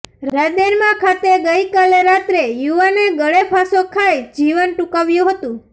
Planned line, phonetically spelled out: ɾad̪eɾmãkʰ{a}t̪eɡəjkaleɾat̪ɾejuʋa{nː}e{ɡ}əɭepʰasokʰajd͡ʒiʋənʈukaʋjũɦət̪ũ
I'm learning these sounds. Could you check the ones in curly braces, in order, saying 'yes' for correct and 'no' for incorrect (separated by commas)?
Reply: yes, no, yes